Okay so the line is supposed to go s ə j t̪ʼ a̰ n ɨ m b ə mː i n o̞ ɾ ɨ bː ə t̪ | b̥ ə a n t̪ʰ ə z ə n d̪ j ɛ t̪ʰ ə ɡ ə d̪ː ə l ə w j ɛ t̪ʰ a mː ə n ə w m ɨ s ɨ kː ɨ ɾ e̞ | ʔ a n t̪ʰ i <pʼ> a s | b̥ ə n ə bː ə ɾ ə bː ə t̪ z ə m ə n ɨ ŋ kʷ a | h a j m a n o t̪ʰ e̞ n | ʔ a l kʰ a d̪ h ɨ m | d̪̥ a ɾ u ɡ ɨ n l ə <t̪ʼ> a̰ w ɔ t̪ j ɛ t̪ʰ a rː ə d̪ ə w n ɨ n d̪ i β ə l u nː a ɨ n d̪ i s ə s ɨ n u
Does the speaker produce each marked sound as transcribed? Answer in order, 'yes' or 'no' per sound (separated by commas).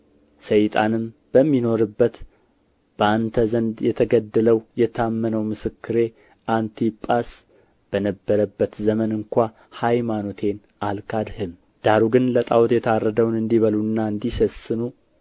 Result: yes, yes